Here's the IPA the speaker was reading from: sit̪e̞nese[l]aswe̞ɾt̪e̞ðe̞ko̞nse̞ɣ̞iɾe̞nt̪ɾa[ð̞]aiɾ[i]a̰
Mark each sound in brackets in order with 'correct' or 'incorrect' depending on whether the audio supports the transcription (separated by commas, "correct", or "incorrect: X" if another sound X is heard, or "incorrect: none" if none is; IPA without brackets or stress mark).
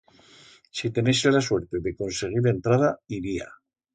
correct, correct, correct